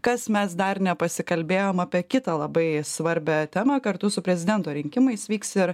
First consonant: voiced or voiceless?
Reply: voiceless